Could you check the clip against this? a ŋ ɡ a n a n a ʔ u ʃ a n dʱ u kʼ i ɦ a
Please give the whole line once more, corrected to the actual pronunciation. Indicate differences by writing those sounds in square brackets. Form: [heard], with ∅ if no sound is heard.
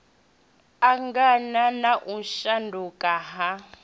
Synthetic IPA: a ŋ ɡ a n a n a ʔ u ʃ a n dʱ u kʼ [a] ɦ a